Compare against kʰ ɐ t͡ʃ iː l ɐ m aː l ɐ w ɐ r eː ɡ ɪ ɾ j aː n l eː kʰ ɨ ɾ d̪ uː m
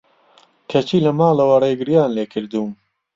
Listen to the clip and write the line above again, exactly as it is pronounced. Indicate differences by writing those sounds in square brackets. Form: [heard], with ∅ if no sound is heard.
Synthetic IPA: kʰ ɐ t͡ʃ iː l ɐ m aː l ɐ w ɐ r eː ɡ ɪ ɾ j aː n l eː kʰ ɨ ɾ d̪ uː m